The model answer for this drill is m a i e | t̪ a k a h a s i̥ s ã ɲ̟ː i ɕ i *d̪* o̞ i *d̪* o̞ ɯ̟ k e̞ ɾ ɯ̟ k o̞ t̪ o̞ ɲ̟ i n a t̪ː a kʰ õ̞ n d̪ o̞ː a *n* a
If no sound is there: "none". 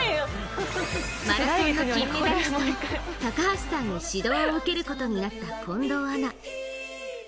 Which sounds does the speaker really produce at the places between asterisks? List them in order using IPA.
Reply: d̪, none, n

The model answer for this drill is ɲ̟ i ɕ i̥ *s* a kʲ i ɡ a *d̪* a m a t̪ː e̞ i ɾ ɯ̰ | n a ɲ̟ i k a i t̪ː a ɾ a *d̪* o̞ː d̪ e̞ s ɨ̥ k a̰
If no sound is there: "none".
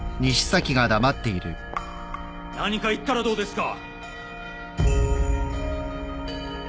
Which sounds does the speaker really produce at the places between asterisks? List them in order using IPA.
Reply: s, d̪, d̪

